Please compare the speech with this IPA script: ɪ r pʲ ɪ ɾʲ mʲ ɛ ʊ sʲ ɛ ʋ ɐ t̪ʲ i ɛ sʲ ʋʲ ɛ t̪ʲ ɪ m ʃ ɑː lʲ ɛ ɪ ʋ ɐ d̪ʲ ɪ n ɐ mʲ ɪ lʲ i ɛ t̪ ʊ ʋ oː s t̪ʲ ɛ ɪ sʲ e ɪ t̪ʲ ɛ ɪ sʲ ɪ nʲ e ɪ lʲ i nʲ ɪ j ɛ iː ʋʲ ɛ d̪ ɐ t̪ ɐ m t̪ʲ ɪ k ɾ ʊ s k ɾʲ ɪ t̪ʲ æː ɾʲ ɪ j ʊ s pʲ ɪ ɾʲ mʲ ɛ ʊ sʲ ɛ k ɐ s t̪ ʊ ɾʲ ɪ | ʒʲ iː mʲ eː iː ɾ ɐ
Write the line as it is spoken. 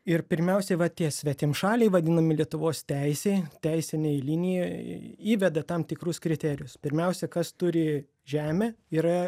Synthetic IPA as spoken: ɪ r pʲ ɪ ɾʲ mʲ ɛ ʊ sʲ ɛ ʋ ɐ t̪ʲ i ɛ sʲ ʋʲ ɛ t̪ʲ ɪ m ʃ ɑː lʲ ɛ ɪ ʋ ɐ d̪ʲ ɪ n ɐ mʲ ɪ lʲ i ɛ t̪ ʊ ʋ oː s t̪ʲ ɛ ɪ sʲ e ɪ t̪ʲ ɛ ɪ sʲ ɪ nʲ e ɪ lʲ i nʲ ɪ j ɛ iː ʋʲ ɛ d̪ ɐ t̪ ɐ m t̪ʲ ɪ k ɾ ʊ s k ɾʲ ɪ t̪ʲ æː ɾʲ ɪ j ʊ s pʲ ɪ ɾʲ mʲ ɛ ʊ sʲ ɛ k ɐ s t̪ ʊ ɾʲ ɪ | ʒʲ æː mʲ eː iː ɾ ɐ